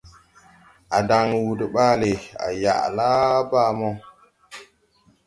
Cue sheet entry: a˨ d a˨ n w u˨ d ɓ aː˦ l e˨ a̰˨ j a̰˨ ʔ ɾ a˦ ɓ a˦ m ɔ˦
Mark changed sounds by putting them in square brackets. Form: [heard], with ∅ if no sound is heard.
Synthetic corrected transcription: a˨ d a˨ [ŋ] w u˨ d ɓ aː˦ l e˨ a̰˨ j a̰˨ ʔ [l] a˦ [b] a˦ m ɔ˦